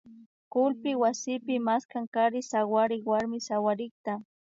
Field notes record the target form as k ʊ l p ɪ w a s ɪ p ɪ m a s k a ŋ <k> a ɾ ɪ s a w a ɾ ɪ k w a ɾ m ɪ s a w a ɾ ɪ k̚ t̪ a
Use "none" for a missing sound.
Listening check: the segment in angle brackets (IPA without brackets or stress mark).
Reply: k